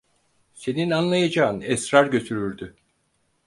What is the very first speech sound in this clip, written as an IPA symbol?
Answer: s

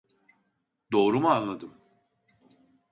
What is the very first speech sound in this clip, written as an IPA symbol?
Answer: d̪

